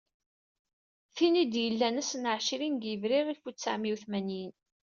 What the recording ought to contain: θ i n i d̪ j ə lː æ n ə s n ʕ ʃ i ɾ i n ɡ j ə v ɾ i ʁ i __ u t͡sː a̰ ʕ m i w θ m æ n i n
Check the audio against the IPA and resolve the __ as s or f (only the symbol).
f